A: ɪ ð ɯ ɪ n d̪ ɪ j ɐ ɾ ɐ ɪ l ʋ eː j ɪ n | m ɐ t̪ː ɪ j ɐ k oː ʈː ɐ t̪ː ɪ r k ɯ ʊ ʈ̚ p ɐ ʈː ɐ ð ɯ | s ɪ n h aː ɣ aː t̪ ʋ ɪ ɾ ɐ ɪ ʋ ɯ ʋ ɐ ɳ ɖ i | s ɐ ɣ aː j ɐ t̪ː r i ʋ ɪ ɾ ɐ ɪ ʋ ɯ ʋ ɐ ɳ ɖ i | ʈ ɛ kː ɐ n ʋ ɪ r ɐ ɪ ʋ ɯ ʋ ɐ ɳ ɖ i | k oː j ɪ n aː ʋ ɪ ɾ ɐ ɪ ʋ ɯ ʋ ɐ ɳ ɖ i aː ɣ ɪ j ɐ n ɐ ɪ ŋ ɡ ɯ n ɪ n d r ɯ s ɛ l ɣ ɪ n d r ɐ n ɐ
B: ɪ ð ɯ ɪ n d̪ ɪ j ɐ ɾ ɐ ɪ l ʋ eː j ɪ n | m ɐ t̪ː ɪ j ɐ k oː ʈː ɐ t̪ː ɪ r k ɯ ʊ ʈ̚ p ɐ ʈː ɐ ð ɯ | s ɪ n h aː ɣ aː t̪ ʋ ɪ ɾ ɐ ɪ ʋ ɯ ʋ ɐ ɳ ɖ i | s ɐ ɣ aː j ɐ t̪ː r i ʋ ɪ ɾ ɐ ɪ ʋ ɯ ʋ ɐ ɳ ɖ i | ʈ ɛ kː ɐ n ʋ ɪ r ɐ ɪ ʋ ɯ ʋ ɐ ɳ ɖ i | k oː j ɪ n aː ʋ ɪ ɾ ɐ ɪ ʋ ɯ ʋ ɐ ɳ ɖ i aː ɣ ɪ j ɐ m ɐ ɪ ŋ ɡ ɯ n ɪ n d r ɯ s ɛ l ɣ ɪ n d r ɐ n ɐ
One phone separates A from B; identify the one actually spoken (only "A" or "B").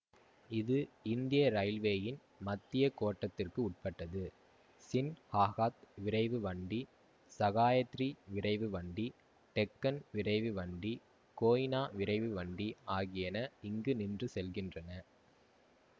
A